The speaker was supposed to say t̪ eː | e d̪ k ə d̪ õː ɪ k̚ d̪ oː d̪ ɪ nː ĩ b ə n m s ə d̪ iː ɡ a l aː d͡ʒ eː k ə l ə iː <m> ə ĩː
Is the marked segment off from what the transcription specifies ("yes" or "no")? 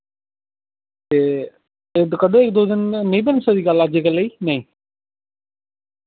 yes